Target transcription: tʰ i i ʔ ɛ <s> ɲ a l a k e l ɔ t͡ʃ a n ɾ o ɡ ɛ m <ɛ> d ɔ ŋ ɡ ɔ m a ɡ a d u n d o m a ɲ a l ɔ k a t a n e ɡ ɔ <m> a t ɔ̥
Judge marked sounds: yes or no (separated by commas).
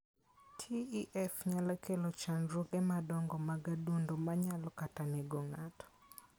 no, no, no